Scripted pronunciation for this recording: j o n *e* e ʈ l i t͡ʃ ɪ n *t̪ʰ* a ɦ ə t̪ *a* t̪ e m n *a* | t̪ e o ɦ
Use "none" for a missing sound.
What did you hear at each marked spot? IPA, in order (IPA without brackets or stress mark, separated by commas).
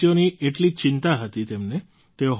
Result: i, t̪, i, e